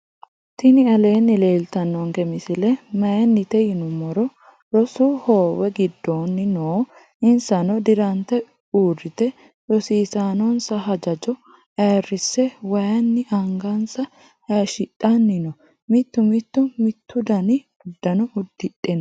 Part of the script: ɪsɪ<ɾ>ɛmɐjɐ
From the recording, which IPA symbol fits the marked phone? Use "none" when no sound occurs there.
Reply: l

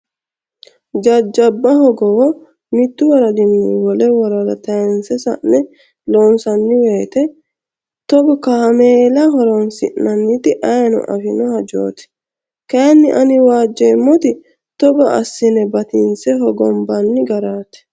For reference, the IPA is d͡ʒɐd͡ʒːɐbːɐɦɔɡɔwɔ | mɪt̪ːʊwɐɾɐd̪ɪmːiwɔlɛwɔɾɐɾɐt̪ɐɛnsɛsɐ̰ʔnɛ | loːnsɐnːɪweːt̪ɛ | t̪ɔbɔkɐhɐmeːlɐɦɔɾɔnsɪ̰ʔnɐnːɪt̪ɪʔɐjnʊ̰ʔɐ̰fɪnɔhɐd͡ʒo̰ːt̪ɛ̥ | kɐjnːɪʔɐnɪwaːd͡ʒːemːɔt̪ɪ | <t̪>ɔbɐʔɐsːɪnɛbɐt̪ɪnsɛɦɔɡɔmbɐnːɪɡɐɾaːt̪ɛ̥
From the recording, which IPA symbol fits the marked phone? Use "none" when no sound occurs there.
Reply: t̪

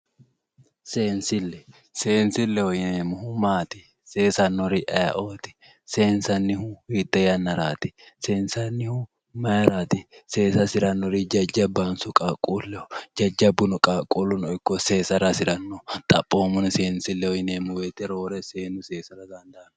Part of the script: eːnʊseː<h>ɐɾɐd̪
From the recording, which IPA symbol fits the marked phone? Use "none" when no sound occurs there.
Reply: s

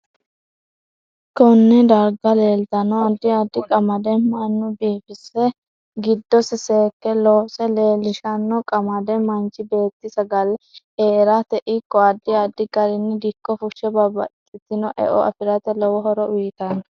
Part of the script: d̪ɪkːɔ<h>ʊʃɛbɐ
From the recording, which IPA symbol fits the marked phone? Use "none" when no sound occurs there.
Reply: f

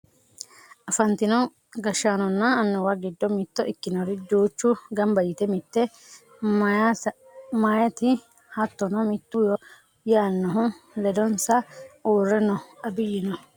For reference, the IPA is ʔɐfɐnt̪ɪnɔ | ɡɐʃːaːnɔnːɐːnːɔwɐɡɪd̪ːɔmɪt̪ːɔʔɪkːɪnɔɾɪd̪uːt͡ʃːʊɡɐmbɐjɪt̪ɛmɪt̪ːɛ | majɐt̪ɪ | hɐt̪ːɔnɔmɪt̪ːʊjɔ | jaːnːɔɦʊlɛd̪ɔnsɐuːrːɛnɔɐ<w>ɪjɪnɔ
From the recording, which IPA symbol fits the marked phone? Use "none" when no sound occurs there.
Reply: b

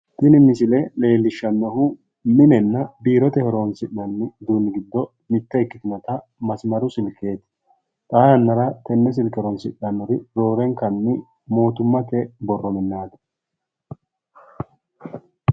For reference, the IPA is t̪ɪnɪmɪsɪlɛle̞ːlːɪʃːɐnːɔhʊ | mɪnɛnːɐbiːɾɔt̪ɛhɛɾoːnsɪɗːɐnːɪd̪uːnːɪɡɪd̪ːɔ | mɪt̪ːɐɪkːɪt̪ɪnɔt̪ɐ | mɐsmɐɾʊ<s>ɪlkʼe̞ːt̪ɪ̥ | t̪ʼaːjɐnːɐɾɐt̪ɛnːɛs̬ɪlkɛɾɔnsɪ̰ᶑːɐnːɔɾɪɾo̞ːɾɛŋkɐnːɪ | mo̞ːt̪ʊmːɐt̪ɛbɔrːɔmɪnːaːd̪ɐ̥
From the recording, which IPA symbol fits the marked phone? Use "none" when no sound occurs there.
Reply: s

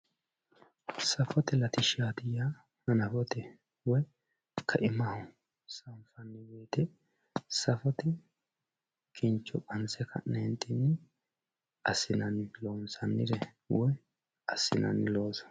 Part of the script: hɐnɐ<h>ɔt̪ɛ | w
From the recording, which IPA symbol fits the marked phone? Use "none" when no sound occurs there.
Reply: f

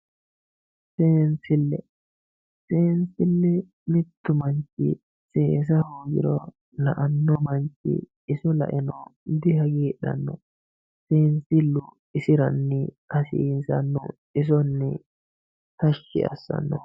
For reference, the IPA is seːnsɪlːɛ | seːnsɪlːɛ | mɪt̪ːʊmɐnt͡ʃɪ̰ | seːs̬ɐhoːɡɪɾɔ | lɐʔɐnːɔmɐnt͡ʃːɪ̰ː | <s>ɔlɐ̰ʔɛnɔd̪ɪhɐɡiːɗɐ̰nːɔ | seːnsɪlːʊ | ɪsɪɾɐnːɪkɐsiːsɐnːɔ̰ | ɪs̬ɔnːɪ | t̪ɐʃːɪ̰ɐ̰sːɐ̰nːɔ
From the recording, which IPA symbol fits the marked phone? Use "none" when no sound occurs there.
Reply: s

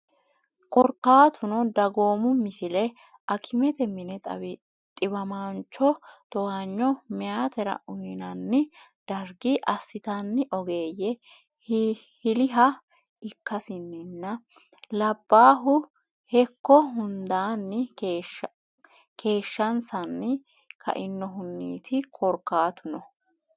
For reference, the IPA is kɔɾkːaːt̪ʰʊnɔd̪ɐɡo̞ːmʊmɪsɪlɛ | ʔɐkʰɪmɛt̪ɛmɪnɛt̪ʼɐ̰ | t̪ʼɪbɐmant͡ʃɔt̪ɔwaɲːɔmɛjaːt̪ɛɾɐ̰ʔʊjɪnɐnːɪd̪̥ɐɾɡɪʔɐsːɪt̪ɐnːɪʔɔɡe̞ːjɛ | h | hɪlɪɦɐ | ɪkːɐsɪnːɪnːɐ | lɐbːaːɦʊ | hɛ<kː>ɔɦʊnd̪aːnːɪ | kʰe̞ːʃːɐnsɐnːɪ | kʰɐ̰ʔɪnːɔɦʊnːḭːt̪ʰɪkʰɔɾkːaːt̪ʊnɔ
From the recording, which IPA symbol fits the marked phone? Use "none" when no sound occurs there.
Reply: kː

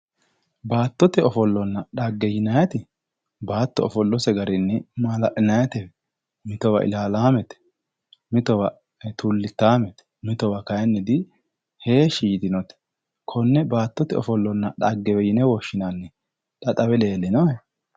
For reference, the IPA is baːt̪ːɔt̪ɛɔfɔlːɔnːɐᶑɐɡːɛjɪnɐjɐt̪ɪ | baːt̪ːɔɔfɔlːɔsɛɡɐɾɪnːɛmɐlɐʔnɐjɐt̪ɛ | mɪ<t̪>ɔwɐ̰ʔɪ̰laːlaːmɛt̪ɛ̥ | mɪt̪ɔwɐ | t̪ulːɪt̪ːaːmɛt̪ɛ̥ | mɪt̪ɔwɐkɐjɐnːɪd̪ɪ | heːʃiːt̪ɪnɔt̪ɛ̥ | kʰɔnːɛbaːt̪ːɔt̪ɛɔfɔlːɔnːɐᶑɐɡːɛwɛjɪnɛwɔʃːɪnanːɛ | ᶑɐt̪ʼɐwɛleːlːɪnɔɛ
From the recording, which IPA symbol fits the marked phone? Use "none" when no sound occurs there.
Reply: t̪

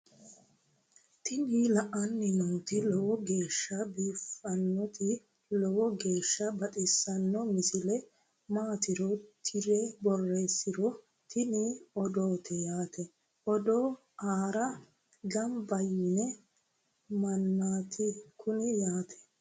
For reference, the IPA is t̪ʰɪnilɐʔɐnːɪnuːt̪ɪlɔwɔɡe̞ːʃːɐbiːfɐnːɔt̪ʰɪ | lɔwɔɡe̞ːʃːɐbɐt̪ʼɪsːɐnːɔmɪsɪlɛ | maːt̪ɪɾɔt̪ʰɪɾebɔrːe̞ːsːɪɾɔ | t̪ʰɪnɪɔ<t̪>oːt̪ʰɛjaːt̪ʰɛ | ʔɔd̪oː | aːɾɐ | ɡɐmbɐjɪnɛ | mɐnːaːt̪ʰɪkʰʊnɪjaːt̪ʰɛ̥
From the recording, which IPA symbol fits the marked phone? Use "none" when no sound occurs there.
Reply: d̪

